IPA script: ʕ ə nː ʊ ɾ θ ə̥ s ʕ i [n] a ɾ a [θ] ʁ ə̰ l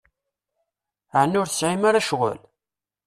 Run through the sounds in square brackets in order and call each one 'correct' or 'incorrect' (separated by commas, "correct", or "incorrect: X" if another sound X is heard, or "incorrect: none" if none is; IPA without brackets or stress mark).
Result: incorrect: m, incorrect: ʃ